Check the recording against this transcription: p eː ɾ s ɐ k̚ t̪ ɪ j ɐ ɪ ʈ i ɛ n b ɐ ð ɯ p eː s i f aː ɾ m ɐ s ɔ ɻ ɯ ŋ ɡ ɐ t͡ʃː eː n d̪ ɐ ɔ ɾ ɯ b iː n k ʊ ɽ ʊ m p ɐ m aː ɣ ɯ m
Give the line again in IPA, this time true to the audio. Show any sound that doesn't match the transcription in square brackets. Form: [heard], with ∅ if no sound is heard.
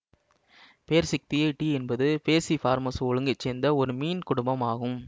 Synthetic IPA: p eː ɾ s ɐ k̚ t̪ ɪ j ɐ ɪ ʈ i ɛ n b ɐ ð ɯ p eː s i f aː ɾ m ɐ s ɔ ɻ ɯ ŋ ɡ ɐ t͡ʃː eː n d̪ ɐ ɔ ɾ ɯ [m] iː n k ʊ ɽ ʊ m [b] ɐ m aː ɣ ɯ m